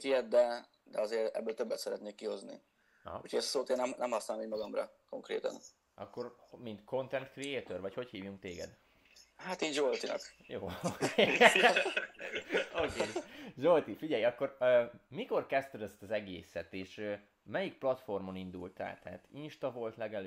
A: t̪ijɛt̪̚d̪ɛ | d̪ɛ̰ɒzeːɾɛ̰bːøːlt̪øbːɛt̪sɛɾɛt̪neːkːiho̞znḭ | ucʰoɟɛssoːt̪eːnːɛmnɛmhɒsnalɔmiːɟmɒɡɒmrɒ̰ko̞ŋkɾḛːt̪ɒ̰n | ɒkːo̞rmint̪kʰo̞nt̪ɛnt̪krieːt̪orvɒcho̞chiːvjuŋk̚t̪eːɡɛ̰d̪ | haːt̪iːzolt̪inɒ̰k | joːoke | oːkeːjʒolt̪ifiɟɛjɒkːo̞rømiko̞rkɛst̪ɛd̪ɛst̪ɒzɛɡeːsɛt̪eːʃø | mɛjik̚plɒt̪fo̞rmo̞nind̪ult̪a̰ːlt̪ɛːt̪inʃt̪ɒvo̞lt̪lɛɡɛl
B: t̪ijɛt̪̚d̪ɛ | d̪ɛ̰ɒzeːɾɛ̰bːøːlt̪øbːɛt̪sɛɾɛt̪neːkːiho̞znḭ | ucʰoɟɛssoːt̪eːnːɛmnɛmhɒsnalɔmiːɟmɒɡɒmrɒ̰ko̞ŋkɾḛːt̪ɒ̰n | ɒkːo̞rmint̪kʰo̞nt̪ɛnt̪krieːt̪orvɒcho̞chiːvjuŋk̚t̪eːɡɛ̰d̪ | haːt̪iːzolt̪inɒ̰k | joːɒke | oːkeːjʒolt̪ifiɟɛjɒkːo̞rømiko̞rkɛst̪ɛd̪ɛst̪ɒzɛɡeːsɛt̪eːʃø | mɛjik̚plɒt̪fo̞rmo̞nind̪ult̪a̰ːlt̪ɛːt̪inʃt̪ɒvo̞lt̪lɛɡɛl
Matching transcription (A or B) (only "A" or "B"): A